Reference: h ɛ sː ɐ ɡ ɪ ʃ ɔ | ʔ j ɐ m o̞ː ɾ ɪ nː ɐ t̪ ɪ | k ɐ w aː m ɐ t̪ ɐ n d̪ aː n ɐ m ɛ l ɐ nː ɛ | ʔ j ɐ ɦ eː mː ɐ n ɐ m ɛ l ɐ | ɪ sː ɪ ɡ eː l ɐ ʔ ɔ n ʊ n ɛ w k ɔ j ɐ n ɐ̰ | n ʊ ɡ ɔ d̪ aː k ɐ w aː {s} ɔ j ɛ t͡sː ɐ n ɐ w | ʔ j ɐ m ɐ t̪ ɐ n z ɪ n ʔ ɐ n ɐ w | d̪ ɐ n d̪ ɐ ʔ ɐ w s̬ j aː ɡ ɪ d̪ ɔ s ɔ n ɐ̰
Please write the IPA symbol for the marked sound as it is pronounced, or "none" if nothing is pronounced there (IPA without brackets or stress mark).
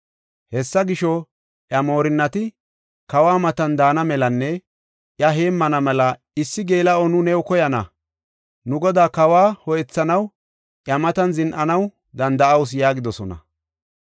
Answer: h